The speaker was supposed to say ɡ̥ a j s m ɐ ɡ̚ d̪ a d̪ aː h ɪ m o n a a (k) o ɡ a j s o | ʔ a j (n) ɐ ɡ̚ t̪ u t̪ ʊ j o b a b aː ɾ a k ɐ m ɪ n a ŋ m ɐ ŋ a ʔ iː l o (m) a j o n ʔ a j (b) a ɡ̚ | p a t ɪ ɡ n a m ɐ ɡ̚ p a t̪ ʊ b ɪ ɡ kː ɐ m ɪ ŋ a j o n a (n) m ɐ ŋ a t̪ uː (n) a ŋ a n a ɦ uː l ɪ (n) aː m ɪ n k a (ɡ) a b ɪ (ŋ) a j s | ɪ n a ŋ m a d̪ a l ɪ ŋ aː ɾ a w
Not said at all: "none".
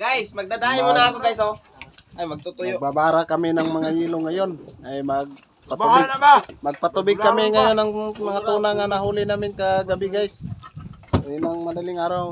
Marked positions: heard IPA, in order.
k, m, ŋ, m, ŋ, n, n, ɡ, ɡ

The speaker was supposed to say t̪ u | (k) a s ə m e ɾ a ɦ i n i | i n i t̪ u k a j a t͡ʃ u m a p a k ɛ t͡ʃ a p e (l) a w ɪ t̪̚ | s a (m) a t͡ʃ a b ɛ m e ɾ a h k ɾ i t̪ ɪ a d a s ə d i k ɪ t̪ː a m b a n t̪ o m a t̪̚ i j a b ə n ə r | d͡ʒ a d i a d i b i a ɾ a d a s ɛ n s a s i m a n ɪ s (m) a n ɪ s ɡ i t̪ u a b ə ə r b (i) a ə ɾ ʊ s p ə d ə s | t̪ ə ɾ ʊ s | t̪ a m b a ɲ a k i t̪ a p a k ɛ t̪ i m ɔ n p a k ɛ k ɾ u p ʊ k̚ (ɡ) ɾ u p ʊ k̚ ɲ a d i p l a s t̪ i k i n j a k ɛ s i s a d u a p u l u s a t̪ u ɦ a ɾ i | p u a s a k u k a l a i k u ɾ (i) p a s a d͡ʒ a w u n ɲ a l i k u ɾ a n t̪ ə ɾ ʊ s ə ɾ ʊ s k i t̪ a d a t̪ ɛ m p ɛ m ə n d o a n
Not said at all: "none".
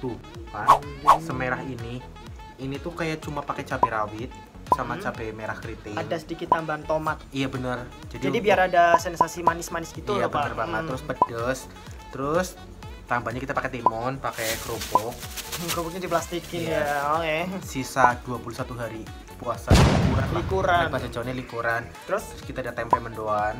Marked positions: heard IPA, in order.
p, ɾ, m, m, a, k, a

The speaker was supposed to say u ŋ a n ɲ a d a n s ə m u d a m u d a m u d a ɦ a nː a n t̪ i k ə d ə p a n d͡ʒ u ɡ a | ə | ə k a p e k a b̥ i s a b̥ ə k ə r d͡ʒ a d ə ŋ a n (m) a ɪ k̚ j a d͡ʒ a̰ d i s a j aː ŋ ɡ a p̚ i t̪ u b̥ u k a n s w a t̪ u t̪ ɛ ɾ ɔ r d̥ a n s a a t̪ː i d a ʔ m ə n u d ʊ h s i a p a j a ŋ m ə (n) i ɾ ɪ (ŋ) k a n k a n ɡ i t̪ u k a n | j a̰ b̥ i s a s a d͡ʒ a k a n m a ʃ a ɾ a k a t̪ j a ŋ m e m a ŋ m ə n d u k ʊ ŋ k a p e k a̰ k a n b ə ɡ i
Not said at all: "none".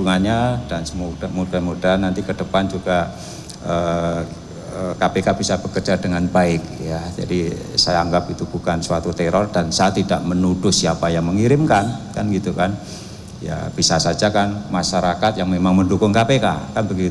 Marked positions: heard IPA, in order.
b, ŋ, m

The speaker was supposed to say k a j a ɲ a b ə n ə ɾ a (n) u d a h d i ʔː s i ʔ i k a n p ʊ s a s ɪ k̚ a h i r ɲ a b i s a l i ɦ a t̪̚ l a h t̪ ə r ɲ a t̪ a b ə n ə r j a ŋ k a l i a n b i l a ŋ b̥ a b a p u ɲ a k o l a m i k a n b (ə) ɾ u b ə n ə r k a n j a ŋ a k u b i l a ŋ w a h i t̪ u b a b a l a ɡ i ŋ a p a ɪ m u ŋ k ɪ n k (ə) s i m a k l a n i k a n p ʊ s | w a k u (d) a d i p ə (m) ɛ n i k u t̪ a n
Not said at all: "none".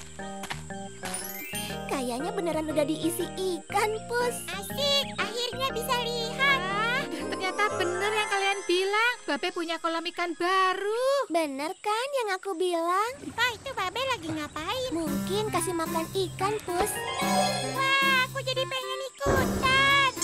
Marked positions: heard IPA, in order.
n, a, a, d͡ʒ, ŋ

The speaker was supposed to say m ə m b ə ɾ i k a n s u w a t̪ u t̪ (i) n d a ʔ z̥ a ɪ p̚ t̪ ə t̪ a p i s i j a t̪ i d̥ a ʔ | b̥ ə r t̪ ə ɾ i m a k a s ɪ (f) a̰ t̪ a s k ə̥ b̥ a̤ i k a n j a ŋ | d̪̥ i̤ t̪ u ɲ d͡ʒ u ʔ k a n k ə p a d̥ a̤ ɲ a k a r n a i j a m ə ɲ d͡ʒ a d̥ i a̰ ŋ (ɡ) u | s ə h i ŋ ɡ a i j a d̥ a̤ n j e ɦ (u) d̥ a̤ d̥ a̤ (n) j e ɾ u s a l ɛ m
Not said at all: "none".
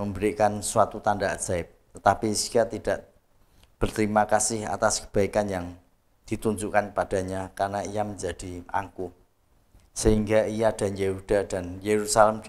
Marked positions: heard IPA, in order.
a, h, k, u, n

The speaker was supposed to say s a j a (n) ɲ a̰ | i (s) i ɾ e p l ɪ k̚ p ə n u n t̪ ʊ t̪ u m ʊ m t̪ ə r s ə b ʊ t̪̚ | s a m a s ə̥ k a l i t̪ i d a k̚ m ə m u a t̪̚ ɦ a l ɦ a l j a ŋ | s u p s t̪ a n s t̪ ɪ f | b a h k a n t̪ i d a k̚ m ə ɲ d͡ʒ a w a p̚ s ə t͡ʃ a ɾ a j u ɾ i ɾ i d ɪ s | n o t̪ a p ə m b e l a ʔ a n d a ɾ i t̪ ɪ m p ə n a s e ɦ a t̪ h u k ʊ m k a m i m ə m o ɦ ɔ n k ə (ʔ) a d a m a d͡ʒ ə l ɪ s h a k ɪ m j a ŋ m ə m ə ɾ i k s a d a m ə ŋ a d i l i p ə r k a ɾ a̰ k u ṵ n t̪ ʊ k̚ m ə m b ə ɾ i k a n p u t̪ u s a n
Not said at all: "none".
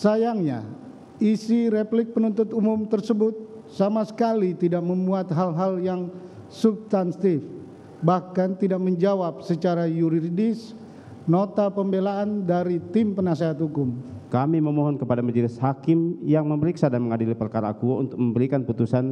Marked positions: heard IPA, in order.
ŋ, s, p

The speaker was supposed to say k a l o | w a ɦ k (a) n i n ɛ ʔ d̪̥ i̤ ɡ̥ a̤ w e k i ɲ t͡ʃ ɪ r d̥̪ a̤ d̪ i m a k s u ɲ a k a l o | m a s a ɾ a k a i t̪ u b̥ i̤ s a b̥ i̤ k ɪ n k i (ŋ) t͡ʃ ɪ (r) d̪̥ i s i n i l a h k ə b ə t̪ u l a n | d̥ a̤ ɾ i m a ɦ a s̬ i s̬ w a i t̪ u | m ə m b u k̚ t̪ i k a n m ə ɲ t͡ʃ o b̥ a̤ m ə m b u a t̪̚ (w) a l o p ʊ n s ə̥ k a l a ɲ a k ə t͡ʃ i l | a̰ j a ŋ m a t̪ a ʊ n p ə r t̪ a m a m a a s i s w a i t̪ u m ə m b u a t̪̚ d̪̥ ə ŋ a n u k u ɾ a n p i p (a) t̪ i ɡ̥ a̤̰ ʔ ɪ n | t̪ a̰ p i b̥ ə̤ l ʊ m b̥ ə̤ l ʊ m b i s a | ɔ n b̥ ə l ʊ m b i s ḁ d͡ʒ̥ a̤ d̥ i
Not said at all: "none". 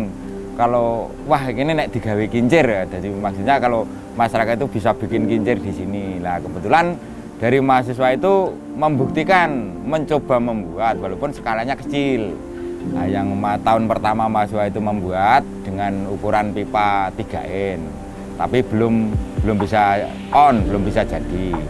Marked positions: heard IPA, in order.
i, ɲ, r, w, a

